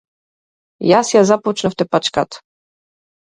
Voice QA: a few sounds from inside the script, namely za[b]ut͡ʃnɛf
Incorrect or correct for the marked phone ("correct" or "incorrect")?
incorrect